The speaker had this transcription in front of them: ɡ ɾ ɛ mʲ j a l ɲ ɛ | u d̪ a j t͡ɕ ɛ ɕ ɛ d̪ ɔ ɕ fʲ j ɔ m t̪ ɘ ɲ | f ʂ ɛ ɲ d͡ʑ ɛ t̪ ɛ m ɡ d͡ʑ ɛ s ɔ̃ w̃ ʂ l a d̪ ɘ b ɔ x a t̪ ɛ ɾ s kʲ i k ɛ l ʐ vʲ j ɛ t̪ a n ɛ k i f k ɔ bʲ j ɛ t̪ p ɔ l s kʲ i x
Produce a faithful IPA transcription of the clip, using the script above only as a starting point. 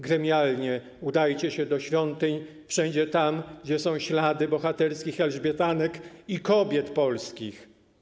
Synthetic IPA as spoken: ɡ ɾ ɛ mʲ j a l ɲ ɛ | u d̪ a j t͡ɕ ɛ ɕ ɛ d̪ ɔ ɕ fʲ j ɔ n t̪ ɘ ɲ | f ʂ ɛ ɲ d͡ʑ ɛ t̪ a m ɡ d͡ʑ ɛ s ɔ̃ w̃ ɕ l a d̪ ɘ b ɔ x a t̪ ɛ ɾ s kʲ i x ɛ l ʐ bʲ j ɛ t̪ a n ɛ k i k ɔ bʲ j ɛ t̪ p ɔ l s kʲ i x